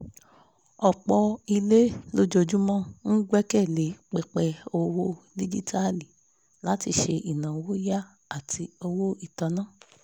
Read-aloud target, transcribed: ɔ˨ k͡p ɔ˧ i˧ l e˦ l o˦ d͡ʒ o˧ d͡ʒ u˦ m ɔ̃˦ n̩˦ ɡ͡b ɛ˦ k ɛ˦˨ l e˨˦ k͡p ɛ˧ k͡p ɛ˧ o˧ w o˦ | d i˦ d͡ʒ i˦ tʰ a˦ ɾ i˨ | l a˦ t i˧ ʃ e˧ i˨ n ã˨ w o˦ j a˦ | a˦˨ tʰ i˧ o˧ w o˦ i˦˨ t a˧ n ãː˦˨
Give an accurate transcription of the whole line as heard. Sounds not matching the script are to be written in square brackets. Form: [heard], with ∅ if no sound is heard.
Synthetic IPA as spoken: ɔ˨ k͡p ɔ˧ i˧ l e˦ l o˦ d͡ʒ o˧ d͡ʒ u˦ m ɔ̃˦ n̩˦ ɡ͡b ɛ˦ k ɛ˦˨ l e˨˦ k͡p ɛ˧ k͡p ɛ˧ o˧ w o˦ | d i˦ d͡ʒ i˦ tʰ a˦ [l] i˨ | l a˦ t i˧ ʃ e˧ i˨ n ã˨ w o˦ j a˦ | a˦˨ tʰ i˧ o˧ w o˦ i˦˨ t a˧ n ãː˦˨